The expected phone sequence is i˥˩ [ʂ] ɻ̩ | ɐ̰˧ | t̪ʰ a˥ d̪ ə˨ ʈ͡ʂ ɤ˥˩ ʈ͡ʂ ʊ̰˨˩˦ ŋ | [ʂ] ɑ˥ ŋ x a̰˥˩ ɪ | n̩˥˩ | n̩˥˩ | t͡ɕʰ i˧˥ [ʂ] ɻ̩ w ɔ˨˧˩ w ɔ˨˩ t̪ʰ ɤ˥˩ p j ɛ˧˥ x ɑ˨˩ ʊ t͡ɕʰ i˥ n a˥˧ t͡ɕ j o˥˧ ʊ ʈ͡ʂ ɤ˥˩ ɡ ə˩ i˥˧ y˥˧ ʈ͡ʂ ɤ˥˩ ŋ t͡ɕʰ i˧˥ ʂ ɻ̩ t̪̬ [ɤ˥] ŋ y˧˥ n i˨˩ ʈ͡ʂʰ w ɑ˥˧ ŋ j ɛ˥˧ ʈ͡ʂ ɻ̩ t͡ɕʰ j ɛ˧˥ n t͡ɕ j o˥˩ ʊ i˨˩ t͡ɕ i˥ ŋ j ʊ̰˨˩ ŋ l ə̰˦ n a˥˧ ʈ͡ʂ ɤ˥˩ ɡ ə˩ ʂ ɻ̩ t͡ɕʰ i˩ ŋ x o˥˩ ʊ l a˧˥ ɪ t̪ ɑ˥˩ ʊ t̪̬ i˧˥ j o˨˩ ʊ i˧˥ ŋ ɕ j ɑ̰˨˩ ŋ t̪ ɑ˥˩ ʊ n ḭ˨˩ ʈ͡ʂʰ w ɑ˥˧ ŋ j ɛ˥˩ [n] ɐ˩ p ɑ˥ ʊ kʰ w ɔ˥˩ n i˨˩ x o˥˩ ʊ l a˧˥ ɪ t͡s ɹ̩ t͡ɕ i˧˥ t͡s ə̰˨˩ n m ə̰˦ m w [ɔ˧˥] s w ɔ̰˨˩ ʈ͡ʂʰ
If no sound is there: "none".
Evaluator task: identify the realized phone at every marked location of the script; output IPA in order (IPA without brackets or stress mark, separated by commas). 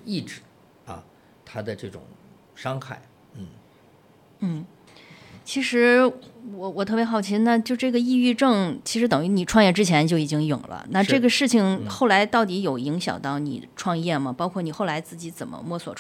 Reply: ʈ͡ʂ, ʂ, ʂ, ɤ˨˩, m, ɔ˥˩